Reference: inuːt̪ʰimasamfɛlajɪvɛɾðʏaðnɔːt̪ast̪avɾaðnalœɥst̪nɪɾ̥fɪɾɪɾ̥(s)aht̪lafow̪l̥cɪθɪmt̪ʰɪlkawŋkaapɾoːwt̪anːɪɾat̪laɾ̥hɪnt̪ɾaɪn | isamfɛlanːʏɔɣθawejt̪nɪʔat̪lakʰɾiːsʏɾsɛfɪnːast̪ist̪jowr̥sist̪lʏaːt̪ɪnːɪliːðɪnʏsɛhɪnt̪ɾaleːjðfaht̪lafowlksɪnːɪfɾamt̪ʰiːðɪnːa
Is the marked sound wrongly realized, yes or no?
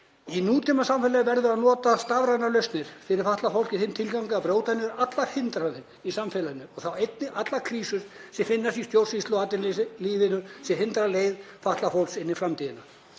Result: yes